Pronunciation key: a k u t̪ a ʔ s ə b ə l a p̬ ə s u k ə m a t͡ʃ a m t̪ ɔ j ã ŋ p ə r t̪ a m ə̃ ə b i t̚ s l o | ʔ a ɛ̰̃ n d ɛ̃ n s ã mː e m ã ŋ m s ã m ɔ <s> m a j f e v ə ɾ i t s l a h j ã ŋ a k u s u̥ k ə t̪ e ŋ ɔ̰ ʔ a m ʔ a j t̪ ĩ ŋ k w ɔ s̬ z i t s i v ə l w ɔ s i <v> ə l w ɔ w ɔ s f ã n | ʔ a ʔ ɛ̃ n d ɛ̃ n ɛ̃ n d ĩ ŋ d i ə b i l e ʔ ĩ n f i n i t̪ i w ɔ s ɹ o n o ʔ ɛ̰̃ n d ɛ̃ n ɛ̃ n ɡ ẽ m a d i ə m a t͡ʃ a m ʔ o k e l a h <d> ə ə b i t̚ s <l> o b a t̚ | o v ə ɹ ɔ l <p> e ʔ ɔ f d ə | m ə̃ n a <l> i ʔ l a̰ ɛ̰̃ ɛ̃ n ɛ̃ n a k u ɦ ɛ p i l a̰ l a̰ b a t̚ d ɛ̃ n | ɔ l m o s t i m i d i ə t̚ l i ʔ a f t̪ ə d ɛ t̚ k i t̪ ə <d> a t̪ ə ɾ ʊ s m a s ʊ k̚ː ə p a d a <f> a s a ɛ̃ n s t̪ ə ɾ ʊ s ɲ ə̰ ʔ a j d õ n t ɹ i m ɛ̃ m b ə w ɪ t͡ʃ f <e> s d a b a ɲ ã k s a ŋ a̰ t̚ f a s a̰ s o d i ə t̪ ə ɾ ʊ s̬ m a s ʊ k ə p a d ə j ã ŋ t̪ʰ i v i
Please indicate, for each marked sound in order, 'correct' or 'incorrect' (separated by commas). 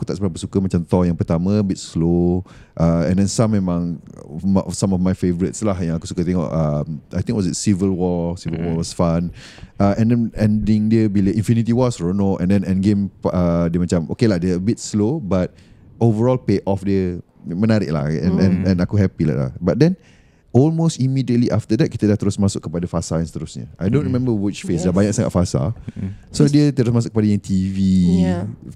incorrect, correct, correct, correct, correct, incorrect, correct, correct, correct